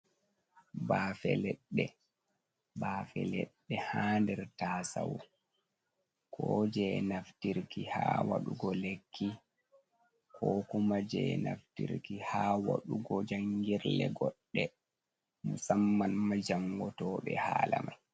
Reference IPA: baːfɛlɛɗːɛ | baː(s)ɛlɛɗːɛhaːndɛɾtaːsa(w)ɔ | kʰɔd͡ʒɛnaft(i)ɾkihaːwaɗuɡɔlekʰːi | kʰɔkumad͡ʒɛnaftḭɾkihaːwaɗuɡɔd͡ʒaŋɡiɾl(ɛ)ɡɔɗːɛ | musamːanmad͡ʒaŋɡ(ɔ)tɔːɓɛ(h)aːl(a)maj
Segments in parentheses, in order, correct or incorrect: incorrect: f, correct, correct, correct, correct, correct, correct

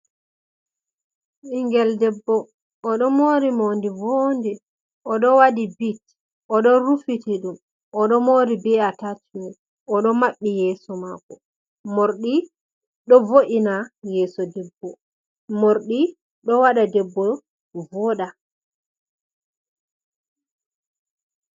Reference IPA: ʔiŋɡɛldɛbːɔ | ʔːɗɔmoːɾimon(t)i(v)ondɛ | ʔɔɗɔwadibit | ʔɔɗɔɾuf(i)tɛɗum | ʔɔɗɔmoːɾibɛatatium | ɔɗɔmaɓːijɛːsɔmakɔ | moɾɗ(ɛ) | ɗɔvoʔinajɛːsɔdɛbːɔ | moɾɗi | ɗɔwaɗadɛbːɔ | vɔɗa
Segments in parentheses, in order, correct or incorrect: incorrect: d, correct, correct, incorrect: i

